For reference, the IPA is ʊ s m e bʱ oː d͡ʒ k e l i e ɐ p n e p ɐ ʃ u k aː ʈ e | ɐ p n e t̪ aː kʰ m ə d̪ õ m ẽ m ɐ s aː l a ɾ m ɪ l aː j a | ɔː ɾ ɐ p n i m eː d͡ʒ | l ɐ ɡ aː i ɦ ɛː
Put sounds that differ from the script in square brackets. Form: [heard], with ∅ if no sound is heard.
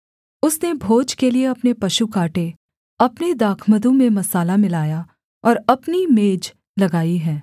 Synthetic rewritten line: ʊ s [n] e bʱ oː d͡ʒ k e l i e ɐ p n e p ɐ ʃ u k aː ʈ e | ɐ p n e [d̪] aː kʰ m ə d̪ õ m ẽ m ɐ s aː l a [∅] m ɪ l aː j a | ɔː ɾ ɐ p n i m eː d͡ʒ | l ɐ ɡ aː i ɦ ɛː